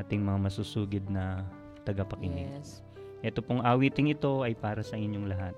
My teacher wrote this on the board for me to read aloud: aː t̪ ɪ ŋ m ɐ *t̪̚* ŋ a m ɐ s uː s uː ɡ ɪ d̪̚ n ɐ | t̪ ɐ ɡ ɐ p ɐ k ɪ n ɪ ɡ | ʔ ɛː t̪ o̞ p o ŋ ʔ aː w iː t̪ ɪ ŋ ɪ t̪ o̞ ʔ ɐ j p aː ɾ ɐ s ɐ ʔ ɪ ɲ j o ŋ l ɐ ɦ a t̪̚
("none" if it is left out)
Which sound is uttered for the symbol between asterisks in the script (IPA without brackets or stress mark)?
none